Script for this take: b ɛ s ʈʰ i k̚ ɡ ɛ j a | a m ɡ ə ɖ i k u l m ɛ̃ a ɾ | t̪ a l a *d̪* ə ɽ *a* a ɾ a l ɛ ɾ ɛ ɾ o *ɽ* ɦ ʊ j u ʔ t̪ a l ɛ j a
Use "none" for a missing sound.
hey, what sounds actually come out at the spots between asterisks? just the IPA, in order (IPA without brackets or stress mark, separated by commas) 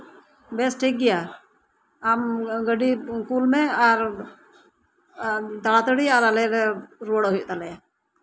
t̪, i, ɽ